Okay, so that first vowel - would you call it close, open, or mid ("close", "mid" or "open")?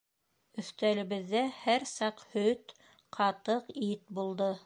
mid